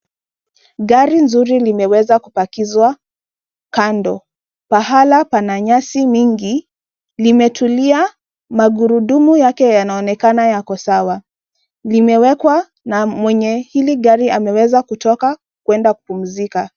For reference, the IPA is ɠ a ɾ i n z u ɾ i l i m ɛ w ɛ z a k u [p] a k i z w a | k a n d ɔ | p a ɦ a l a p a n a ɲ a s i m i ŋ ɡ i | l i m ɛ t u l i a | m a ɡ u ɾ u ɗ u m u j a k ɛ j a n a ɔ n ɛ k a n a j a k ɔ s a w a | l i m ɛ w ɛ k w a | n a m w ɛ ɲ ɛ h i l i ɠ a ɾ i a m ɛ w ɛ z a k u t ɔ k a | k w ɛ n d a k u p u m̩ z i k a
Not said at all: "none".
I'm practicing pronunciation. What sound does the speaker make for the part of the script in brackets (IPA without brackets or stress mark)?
p